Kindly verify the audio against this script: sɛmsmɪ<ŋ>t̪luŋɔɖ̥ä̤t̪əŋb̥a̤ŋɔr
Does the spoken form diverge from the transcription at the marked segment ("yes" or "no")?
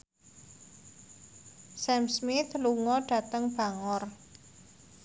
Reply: yes